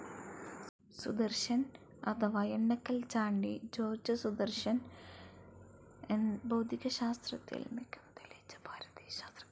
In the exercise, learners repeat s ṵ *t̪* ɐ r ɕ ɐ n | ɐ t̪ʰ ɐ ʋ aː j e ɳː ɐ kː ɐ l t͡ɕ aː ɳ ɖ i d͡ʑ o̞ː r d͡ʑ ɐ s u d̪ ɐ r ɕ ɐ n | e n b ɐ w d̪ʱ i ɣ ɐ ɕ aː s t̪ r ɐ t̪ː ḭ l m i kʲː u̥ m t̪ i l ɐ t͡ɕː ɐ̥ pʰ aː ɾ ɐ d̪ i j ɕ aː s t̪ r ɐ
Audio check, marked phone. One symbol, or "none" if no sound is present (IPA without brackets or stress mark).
d̪